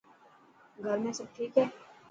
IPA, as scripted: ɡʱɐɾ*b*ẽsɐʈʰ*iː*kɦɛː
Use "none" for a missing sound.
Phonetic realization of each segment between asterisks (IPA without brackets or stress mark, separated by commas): m, iː